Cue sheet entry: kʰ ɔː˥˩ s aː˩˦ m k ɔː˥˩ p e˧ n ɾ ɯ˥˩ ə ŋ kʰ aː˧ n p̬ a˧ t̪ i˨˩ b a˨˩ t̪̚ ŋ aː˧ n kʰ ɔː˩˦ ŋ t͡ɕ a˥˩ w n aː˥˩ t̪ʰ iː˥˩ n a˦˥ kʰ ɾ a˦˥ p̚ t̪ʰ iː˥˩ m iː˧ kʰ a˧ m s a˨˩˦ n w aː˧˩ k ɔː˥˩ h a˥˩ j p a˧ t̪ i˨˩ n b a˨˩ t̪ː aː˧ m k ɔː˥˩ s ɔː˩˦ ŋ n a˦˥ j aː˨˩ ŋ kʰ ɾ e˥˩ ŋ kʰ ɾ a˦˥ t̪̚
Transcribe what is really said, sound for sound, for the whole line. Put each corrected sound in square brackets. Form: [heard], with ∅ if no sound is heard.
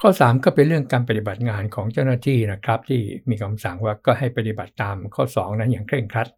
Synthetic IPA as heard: kʰ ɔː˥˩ s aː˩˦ m k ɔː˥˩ p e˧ n ɾ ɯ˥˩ ə ŋ [k] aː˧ n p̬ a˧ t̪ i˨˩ b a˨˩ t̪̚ ŋ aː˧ n kʰ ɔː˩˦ ŋ t͡ɕ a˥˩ w n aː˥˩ t̪ʰ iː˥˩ n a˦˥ kʰ ɾ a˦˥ p̚ t̪ʰ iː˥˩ m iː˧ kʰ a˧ m s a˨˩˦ [ŋ] w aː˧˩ k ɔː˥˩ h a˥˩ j p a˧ t̪ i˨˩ [∅] b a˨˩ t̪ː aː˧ m [kʰ] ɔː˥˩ s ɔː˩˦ ŋ n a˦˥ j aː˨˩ ŋ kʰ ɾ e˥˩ ŋ kʰ ɾ a˦˥ t̪̚